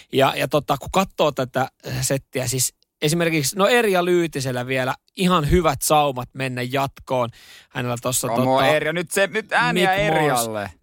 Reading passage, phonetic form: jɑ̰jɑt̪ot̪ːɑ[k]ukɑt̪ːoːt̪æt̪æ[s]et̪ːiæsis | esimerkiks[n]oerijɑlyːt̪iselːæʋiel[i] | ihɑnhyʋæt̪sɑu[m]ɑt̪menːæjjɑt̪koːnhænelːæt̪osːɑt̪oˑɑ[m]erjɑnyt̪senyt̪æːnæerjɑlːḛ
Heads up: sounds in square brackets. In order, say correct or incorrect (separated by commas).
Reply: correct, correct, correct, incorrect, correct, incorrect